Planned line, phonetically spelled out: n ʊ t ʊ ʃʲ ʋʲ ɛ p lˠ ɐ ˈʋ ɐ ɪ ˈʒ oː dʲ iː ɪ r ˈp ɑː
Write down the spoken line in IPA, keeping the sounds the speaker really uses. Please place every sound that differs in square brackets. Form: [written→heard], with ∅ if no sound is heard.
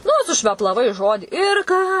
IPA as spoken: n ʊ [t→s] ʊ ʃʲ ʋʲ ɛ p lˠ ɐ ˈʋ ɐ ɪ ˈʒ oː dʲ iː ɪ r [ˈp→ˈk] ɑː